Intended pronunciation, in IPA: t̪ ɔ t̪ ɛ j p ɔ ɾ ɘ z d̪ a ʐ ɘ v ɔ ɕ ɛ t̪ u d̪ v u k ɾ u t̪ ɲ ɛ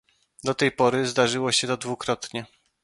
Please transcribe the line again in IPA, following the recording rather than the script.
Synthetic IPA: d̪ ɔ t̪ ɛ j p ɔ ɾ ɘ z d̪ a ʐ ɘ w ɔ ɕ ɛ t̪ ɔ d̪ v u k ɾ ɔ t̪ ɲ ɛ